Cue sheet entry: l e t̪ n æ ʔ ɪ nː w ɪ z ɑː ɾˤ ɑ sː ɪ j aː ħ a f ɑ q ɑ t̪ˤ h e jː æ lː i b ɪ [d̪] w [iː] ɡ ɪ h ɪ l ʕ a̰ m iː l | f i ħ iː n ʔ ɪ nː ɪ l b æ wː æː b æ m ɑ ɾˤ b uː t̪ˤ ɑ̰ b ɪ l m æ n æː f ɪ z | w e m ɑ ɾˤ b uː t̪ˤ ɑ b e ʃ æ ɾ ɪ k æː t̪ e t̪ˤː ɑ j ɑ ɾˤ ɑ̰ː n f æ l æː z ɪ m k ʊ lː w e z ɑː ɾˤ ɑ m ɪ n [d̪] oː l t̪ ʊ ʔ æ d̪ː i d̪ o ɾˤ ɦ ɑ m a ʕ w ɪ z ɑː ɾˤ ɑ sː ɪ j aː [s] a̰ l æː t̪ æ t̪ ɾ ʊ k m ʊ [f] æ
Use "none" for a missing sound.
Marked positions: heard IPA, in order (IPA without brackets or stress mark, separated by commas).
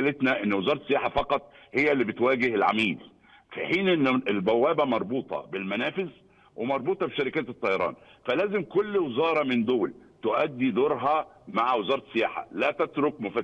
t̪, æː, d̪, ħ, f